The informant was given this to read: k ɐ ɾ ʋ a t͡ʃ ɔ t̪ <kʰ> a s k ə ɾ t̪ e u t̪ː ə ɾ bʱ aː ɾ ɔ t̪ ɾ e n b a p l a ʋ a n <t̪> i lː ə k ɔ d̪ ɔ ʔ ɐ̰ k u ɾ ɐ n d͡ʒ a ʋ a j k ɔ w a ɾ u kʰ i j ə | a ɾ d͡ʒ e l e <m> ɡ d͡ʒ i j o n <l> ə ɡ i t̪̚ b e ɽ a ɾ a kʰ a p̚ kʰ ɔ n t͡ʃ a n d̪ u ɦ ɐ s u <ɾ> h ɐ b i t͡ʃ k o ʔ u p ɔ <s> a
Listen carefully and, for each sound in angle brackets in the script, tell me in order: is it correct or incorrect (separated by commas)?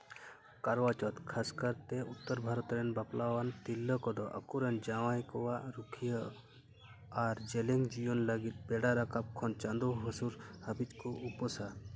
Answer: correct, correct, incorrect, correct, correct, correct